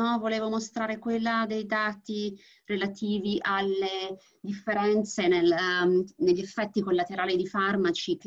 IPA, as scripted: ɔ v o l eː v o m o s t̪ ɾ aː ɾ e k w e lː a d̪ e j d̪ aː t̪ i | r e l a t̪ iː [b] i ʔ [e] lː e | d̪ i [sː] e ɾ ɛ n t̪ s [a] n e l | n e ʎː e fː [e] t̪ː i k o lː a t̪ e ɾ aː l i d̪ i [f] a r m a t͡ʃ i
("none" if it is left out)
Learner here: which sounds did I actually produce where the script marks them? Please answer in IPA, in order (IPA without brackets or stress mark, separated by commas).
v, a, fː, e, ɛ, f